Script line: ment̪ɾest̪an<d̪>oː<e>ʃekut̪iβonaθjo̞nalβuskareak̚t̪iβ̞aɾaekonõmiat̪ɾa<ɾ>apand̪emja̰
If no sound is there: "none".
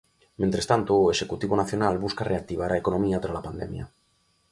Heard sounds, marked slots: t̪, e, l

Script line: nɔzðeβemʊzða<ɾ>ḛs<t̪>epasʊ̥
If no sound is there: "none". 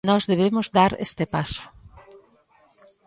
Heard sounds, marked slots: ɾ, t̪

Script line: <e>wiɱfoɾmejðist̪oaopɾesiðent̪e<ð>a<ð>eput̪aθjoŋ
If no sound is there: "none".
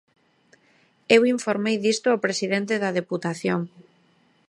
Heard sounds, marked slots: e, ð, ð

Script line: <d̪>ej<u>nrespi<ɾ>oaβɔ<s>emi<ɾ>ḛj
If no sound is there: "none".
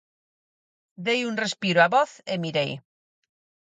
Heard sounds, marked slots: d̪, u, ɾ, θ, ɾ

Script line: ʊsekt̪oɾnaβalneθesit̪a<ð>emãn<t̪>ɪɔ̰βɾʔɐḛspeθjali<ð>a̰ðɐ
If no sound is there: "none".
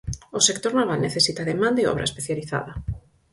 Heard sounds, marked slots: ð, d̪, θ

